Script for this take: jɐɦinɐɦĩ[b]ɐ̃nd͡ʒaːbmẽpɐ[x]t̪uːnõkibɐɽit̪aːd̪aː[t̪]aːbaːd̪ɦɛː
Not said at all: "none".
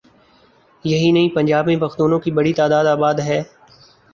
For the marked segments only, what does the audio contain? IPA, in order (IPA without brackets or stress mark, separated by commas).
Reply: p, x, d̪